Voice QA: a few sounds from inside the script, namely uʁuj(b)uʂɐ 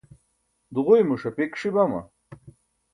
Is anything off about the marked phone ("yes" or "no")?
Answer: yes